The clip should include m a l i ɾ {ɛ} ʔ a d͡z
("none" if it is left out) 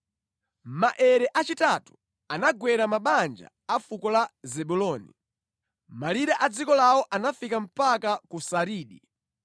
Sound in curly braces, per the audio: a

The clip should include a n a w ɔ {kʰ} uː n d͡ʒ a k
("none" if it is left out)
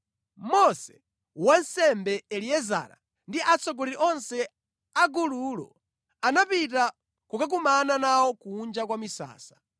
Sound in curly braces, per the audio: k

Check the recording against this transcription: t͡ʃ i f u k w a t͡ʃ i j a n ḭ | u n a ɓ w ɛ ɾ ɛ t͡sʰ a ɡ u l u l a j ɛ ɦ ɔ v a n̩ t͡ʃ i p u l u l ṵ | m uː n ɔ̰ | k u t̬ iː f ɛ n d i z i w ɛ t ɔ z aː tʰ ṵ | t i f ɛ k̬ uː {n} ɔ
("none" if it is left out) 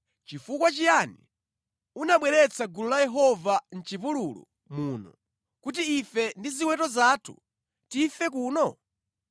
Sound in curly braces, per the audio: n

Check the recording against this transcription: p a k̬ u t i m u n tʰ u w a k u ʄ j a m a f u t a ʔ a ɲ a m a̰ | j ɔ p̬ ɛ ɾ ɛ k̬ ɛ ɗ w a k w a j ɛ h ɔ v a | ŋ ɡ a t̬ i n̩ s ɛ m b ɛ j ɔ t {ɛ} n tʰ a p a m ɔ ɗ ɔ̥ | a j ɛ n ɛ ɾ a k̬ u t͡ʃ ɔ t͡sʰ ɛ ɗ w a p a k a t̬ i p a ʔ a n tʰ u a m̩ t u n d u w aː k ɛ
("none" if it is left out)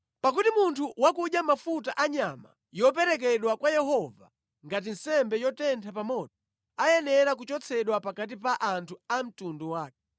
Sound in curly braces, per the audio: ɛ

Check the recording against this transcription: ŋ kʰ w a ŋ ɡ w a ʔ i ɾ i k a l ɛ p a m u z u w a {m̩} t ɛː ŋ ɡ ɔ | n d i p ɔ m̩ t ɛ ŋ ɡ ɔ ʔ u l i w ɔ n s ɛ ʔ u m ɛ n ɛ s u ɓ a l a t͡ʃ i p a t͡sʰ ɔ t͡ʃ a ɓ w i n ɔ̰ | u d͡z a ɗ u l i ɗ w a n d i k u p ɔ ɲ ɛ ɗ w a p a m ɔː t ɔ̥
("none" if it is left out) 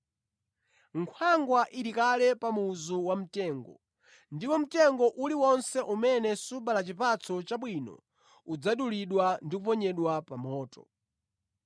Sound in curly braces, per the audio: m̩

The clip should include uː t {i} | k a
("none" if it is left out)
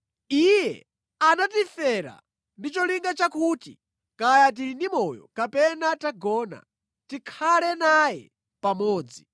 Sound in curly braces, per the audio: i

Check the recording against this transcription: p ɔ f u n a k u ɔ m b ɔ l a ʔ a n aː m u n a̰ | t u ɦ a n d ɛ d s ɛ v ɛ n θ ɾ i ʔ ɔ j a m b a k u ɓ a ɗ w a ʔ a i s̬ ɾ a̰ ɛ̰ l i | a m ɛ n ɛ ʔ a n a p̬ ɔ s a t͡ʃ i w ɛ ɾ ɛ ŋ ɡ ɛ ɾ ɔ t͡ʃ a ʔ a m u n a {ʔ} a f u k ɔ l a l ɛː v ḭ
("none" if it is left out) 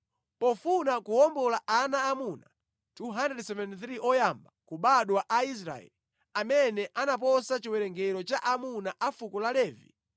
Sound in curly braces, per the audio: ʔ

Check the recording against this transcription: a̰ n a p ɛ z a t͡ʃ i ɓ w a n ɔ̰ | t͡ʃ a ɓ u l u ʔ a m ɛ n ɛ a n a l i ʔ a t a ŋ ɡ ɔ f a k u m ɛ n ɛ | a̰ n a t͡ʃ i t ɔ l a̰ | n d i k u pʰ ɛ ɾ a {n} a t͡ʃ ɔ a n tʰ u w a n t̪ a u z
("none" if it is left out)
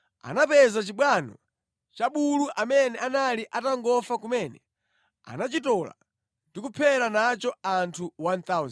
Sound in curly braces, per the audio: n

